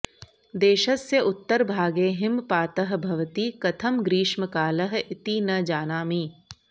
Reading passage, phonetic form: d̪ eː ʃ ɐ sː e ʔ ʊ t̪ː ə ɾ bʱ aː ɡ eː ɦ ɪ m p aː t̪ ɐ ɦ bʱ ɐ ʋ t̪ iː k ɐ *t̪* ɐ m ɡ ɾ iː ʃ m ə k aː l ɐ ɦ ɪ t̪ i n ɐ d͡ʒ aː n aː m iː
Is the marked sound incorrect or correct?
incorrect